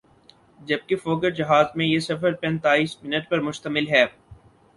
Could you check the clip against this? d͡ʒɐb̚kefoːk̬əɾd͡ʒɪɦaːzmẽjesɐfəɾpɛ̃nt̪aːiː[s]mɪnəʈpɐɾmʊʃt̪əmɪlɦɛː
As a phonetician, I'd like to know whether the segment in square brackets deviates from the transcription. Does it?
no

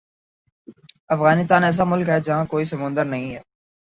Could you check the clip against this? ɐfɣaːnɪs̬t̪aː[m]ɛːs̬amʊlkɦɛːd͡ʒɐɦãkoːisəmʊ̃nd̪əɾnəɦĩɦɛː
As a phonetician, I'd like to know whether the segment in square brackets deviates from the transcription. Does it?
yes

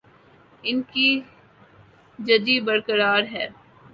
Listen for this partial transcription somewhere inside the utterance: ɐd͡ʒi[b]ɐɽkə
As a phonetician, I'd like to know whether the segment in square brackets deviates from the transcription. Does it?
no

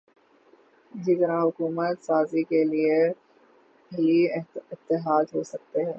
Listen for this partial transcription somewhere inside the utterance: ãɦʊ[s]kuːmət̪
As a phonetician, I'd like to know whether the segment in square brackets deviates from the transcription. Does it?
yes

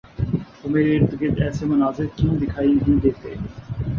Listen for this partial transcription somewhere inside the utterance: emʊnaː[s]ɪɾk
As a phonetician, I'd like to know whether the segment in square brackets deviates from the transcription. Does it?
yes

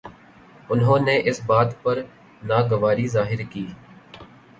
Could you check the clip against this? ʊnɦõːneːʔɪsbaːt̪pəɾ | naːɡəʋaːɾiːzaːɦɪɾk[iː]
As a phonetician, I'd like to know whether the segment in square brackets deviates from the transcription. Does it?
no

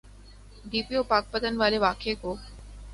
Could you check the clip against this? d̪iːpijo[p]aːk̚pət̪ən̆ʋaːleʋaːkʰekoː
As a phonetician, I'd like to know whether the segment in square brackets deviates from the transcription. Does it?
no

